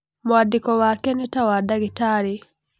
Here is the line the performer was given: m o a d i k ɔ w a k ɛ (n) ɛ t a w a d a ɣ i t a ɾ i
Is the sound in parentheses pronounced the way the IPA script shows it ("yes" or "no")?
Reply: yes